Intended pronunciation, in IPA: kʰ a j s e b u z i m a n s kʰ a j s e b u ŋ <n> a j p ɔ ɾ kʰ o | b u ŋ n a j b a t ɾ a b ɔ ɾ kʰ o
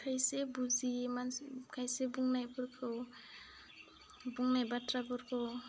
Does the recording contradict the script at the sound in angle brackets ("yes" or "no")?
no